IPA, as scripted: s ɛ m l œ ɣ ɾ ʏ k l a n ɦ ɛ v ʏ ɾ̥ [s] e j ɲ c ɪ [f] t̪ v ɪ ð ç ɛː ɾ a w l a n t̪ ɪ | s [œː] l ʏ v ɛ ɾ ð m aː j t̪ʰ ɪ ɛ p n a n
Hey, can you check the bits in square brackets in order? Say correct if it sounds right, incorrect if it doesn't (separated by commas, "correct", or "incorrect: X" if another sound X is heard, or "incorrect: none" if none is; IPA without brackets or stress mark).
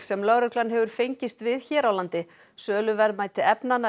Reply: incorrect: f, incorrect: s, correct